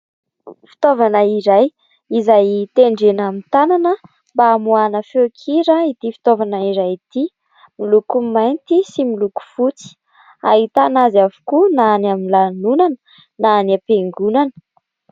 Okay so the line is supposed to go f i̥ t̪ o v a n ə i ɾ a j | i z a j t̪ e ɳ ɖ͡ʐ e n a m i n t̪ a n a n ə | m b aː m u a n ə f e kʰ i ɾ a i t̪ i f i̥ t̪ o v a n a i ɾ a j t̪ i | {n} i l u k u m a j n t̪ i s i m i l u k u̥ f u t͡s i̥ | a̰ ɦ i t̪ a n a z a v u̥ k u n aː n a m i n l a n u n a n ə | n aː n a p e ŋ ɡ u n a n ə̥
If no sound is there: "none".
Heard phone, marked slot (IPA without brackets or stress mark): m